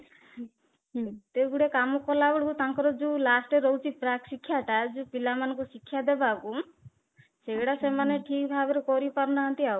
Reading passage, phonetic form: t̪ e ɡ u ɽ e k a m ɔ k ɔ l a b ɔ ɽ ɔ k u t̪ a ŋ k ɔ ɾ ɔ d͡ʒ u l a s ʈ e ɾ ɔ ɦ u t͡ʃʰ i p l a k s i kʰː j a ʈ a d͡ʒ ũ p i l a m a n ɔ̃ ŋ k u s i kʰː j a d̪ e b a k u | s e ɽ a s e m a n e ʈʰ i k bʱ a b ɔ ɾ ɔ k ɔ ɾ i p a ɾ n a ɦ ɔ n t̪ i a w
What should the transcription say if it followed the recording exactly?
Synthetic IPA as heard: t̪ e ɡ u ɽ e k a m ɔ k ɔ l a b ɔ ɽ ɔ k u t̪ a ŋ k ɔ ɾ ɔ d͡ʒ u l a s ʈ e ɾ ɔ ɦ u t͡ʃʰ i p ɾ a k s i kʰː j a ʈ a d͡ʒ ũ p i l a m a n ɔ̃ ŋ k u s i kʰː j a d̪ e b a k u | s e ɽ a s e m a n e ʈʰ i k bʱ a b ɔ ɾ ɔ k ɔ ɾ i p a ɾ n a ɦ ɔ n t̪ i a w